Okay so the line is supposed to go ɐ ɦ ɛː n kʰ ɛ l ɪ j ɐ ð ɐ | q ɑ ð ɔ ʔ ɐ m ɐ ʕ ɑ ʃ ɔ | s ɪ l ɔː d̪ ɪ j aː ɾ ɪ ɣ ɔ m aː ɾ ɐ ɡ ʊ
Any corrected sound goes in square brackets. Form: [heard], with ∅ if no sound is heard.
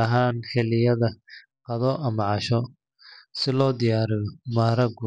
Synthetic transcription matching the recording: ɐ ɦ [aː] n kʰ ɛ l ɪ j ɐ ð ɐ | q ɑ ð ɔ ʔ ɐ m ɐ ʕ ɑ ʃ ɔ | s ɪ l ɔː d̪ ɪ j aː ɾ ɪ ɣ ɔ m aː ɾ ɐ ɡ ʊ